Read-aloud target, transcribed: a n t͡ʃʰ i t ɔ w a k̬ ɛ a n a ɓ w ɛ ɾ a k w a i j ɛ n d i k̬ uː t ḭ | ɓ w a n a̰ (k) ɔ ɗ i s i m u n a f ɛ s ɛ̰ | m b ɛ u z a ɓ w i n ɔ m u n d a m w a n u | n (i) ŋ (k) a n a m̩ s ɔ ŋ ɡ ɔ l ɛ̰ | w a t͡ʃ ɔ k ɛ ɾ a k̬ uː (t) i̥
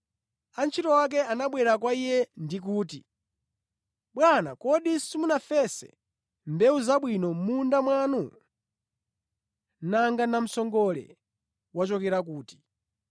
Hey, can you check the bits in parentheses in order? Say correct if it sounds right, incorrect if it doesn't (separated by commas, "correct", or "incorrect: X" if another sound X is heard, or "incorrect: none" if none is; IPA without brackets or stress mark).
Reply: correct, incorrect: a, incorrect: ɡ, correct